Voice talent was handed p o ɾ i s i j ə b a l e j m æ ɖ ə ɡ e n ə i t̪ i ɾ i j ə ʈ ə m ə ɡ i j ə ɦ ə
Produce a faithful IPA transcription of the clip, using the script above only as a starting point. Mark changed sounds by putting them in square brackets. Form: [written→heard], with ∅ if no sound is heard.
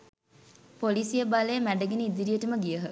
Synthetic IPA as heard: p o [ɾ→l] i s i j ə b a l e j m æ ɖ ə ɡ e n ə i [t̪→d̪] i ɾ i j ə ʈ ə m ə ɡ i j ə ɦ ə